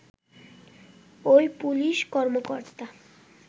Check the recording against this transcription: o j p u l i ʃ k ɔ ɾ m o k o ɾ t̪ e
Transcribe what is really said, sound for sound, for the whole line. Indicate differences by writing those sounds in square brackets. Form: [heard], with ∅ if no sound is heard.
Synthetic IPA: o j p u l i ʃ k ɔ ɾ m o k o ɾ t̪ [a]